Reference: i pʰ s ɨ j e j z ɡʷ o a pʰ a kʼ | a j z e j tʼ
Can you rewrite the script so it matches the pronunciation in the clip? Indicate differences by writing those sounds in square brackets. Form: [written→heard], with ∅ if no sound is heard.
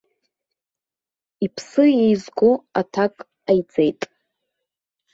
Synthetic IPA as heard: i pʰ s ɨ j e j z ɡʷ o a [pʰ→tʰ] a kʼ | a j [z→d͡z] e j tʼ